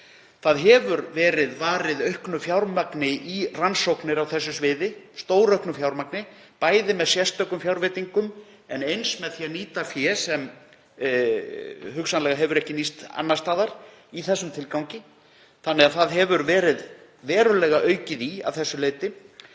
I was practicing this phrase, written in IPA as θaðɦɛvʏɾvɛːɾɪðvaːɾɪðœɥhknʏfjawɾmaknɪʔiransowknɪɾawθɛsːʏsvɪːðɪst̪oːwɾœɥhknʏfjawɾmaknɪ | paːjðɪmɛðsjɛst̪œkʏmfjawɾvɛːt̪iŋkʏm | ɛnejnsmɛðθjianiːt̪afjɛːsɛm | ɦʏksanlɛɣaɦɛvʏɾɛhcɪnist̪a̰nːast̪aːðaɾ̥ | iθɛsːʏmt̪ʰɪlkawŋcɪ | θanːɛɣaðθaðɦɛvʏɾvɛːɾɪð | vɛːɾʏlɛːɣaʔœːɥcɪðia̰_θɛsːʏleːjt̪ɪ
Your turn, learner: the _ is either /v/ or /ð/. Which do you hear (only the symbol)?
v